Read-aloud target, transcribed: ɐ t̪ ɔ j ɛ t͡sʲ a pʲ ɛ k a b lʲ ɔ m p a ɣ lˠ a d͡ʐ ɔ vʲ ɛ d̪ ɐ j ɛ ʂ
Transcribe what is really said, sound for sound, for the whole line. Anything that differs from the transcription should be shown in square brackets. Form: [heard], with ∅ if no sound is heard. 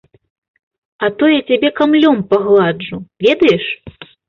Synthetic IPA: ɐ t̪ ɔ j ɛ t͡sʲ a [bʲ] ɛ k a [m] lʲ ɔ m p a ɣ lˠ a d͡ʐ [u] vʲ ɛ d̪ ɐ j ɛ ʂ